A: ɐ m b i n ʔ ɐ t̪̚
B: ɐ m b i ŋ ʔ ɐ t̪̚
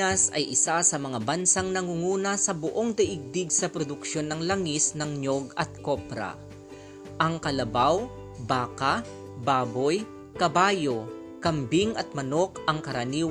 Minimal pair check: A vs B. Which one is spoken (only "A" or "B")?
B